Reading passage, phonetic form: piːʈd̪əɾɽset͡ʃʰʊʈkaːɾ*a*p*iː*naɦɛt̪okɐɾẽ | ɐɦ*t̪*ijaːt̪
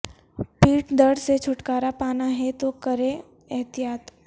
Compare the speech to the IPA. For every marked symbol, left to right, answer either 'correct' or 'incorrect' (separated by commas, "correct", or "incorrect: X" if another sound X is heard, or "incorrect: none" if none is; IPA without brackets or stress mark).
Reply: correct, incorrect: aː, correct